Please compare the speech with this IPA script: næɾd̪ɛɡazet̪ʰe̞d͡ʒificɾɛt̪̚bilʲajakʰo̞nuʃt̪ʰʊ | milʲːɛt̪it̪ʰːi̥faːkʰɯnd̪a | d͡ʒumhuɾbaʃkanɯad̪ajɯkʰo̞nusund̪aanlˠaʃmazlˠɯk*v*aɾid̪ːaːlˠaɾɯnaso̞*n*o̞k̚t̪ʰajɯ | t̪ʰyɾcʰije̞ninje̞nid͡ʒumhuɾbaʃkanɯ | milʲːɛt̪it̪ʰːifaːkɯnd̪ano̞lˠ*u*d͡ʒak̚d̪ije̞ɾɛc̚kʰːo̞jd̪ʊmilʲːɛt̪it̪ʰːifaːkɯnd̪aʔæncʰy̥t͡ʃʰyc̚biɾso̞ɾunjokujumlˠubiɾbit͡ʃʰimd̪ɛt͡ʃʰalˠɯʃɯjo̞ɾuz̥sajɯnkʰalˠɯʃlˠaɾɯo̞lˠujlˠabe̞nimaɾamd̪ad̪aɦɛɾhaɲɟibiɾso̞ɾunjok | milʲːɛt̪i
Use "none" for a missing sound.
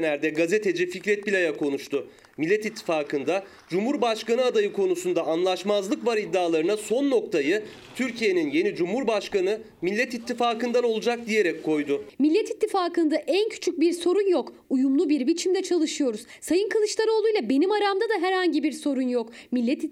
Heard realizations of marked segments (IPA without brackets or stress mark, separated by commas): v, nː, u